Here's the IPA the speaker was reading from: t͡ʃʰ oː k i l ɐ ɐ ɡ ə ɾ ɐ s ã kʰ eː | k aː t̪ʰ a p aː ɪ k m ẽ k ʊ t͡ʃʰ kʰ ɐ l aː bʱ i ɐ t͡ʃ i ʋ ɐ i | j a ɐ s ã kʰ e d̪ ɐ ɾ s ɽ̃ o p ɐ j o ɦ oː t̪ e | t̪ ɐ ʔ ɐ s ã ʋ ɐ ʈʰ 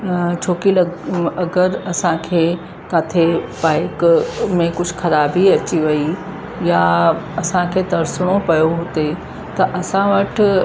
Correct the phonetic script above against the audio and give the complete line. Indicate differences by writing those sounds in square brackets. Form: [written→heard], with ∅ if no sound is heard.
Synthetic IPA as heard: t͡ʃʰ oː k i l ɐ ɐ ɡ ə ɾ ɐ s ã kʰ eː | k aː t̪ʰ [a→e] p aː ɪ k m ẽ k ʊ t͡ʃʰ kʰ ɐ [l→ɾ] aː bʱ i ɐ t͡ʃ i ʋ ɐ i | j a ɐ s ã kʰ e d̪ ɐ ɾ s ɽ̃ o p ɐ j o ɦ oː t̪ e | t̪ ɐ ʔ ɐ s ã ʋ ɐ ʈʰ